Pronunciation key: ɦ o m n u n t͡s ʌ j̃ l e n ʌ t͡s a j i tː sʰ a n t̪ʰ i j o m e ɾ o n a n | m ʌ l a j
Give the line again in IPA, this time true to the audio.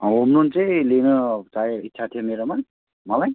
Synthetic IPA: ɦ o m n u n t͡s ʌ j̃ l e n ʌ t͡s a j i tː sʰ a t̪ʰ i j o m e ɾ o m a n | m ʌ l a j